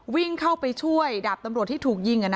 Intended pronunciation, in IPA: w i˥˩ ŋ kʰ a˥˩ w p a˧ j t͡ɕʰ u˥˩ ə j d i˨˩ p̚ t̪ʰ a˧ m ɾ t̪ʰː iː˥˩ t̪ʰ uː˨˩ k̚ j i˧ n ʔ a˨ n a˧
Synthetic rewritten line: w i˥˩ ŋ kʰ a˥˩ w p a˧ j t͡ɕʰ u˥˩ ə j d a˨˩ p̚ t̪ a˧ m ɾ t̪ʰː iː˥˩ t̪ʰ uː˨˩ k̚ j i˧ ŋ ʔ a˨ n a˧